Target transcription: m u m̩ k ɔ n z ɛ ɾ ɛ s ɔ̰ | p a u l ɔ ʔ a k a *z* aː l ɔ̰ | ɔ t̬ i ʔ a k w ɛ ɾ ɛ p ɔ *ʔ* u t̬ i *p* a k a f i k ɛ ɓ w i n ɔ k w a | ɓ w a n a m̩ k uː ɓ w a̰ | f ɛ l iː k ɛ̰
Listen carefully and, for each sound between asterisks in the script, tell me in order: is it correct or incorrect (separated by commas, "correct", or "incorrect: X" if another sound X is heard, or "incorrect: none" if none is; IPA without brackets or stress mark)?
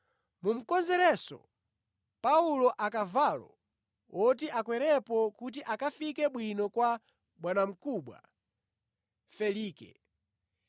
incorrect: v, incorrect: k, incorrect: ʔ